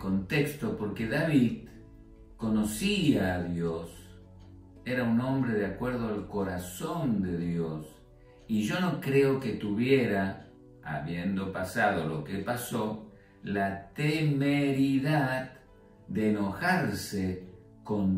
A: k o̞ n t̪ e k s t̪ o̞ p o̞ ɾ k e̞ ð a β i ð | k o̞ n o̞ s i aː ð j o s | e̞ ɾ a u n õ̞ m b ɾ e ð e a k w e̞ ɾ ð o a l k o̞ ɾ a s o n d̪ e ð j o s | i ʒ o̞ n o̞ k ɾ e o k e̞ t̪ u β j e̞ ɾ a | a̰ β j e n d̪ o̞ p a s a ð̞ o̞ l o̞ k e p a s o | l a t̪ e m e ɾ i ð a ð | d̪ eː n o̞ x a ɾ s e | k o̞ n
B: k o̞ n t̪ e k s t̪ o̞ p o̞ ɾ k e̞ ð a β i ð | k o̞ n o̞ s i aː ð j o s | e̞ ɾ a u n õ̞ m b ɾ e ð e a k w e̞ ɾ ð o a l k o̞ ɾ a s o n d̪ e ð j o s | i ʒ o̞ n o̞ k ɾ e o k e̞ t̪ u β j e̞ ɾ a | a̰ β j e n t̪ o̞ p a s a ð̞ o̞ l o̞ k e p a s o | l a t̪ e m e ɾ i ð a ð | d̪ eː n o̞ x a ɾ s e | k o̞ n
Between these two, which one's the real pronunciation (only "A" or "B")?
A